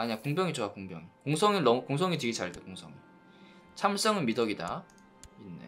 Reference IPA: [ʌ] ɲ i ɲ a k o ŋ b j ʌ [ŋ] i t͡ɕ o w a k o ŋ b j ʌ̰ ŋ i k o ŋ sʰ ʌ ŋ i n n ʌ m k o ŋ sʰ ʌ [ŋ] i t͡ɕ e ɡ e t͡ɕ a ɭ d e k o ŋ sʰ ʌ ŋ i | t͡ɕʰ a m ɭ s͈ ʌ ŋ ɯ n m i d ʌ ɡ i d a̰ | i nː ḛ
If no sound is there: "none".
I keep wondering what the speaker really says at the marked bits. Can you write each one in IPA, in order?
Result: a, ŋ, ŋ

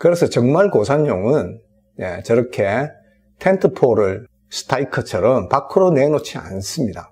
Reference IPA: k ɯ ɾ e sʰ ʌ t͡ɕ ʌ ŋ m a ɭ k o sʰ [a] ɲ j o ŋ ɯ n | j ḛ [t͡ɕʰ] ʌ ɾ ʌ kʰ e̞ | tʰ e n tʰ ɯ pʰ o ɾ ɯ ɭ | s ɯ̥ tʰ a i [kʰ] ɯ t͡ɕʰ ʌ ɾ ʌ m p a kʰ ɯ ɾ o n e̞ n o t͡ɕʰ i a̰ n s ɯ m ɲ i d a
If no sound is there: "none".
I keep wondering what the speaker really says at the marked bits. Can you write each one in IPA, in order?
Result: a, t͡ɕ, kʰ

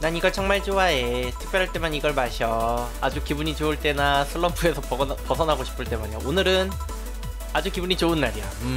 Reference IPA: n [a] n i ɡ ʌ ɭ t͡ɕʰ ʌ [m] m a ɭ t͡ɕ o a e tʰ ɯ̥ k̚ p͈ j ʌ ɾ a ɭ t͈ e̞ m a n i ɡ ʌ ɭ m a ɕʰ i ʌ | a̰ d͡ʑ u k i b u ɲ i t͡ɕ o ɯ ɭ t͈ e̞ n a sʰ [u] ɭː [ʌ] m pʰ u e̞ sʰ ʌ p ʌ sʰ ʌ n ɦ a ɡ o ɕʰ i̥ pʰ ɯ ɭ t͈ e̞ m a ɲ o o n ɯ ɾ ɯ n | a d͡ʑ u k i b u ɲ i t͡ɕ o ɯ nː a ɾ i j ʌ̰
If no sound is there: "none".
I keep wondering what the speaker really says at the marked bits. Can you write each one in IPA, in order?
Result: a, ŋ, ɯ, ʌ

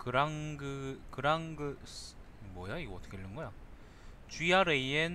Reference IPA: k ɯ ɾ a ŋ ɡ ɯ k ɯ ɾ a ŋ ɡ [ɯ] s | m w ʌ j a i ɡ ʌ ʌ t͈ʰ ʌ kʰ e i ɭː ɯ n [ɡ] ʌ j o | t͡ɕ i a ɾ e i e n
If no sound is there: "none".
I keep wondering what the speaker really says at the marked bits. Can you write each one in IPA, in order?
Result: ɯ, ɡ

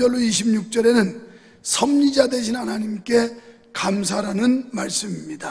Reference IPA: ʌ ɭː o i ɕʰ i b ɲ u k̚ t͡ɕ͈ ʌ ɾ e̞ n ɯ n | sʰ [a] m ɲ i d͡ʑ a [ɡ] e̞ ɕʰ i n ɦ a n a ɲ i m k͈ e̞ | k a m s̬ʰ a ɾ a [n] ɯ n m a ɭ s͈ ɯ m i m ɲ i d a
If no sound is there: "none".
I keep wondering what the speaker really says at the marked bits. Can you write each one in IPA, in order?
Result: ʌ, d, n

